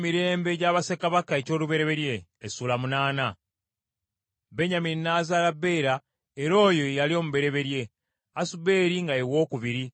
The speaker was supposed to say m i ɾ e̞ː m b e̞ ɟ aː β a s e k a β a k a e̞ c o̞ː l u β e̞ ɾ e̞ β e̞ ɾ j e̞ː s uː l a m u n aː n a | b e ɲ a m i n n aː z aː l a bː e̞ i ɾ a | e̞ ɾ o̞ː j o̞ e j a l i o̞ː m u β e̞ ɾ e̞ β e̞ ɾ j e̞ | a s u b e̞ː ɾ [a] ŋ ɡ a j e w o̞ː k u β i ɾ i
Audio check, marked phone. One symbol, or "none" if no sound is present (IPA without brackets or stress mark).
i